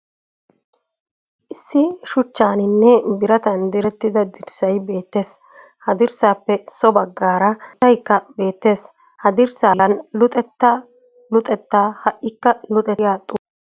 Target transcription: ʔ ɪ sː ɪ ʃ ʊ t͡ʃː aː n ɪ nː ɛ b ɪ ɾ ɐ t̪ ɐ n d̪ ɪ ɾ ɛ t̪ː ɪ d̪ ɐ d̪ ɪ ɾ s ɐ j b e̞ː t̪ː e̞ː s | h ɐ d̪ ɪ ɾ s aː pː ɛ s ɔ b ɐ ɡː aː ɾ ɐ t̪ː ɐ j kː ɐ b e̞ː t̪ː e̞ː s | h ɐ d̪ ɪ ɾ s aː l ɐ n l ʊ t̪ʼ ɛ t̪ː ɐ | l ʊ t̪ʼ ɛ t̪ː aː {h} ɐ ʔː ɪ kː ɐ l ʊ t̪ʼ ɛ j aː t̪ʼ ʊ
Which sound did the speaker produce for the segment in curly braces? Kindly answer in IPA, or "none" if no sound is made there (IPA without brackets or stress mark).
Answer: h